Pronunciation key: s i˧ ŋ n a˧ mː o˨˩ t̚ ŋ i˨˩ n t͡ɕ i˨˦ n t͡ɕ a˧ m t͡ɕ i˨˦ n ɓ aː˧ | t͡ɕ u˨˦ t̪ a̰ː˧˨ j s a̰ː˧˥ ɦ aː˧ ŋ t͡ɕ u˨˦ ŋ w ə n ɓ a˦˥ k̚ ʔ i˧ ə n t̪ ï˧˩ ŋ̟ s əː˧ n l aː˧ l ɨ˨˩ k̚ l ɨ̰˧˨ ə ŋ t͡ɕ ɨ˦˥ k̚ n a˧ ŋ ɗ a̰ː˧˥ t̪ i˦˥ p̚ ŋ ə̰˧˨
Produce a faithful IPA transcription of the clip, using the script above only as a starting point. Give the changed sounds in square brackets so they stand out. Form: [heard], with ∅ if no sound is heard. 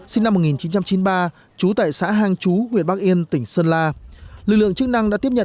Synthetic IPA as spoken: s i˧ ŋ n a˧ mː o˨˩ t̚ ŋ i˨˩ n t͡ɕ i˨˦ n t͡ɕ a˧ m t͡ɕ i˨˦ n ɓ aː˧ | t͡ɕ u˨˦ t̪ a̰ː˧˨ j s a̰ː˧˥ ɦ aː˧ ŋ t͡ɕ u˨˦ ŋ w ə n ɓ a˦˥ k̚ ʔ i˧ ə n t̪ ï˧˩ ŋ̟ s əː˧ n l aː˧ l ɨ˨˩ k̚ l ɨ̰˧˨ ə ŋ t͡ɕ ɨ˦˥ k̚ n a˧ ŋ ɗ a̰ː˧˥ t̪ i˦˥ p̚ [ɲ] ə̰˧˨